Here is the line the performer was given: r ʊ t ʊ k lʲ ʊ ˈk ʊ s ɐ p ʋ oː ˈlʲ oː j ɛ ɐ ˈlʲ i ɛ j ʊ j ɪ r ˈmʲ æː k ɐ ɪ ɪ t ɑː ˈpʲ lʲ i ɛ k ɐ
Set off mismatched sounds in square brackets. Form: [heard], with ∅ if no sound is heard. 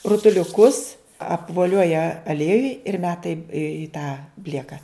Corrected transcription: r ʊ t ʊ [∅] lʲ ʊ ˈk ʊ s ɐ p ʋ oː ˈlʲ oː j ɛ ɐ ˈlʲ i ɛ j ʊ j ɪ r ˈmʲ æː [t] ɐ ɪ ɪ t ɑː [ˈbʲ] lʲ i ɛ k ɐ